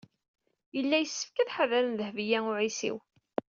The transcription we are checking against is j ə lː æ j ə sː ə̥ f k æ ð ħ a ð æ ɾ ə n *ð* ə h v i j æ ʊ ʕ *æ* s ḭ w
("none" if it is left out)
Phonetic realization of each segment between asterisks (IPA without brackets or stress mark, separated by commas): ð, i